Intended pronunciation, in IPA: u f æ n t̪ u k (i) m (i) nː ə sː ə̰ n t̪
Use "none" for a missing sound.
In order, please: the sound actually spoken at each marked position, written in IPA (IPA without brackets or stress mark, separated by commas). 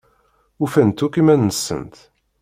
i, æ